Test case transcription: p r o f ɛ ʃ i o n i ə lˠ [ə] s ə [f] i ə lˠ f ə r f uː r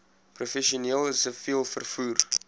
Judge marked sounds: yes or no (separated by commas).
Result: yes, yes